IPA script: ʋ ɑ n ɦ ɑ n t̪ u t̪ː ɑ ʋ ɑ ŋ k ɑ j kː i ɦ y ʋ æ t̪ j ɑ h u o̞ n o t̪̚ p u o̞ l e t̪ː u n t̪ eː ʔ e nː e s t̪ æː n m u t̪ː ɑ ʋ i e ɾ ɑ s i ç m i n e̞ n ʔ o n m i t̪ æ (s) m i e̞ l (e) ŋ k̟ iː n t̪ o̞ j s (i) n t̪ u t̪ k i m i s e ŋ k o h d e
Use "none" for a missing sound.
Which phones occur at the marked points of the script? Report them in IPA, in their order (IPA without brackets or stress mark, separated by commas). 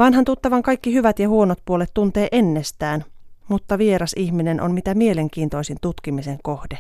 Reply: none, e, i